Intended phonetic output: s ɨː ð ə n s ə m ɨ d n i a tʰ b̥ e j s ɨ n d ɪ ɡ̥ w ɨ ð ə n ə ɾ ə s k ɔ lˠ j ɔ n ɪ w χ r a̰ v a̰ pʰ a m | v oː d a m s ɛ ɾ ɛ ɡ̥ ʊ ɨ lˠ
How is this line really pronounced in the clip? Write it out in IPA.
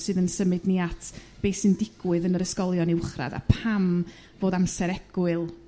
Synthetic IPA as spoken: s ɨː ð ə n s ə m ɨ d n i a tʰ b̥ e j s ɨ n d ɪ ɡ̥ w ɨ ð ə n ə ɾ ə s k ɔ lˠ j ɔ n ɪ w χ r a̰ ð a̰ pʰ a m | v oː d a m s ɛ ɾ ɛ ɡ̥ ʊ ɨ lˠ